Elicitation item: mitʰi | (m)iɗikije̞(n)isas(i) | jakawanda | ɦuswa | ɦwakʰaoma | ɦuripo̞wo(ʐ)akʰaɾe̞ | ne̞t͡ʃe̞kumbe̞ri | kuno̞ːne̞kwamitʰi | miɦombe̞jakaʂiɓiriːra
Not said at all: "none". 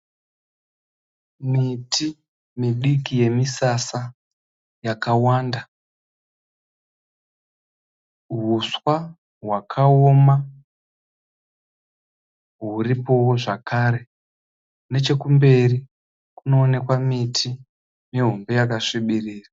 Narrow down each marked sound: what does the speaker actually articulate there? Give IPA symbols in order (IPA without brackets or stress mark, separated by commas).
m, m, a, ʐ